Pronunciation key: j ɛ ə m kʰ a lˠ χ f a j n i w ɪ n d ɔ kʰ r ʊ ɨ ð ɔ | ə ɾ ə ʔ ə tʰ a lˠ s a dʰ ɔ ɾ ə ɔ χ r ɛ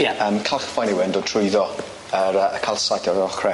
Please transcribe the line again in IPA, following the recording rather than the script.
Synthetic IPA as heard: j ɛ ə m kʰ a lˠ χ f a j n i w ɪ n d ɔ tʰ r ʊ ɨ ð ɔ | ə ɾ ə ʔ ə kʰ a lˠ s a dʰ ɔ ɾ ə ɔ χ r ɛ